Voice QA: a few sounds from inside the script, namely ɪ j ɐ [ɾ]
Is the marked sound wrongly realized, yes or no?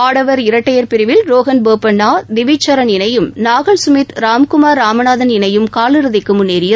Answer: yes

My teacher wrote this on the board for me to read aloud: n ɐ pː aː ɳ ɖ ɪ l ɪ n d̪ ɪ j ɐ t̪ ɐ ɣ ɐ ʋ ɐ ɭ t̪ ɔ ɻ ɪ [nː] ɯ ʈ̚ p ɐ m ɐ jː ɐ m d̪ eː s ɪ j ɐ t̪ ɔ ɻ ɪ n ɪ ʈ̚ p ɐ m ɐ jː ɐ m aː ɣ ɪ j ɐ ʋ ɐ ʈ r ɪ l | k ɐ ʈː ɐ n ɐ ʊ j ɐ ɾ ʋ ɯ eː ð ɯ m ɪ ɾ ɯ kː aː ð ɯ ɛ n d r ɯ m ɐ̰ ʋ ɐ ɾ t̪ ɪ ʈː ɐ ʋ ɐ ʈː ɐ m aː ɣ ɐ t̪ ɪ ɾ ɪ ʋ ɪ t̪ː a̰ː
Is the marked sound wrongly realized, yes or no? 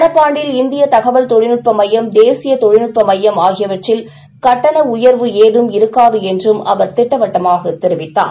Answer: yes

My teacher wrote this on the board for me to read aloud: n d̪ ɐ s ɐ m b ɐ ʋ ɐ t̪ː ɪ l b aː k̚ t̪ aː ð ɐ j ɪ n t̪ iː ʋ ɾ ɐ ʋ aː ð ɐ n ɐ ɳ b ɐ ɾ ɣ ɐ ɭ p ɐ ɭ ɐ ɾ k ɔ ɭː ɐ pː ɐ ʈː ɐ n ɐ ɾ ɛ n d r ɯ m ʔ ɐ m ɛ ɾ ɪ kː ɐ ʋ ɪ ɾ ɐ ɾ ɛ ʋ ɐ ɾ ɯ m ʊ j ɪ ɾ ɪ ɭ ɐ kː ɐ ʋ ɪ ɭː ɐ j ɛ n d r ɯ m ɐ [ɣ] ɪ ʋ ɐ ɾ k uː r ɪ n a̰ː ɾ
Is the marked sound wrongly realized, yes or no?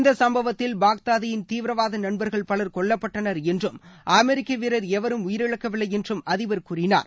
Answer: yes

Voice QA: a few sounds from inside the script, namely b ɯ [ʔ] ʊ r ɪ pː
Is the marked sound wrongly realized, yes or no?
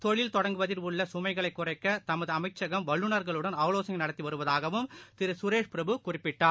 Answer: yes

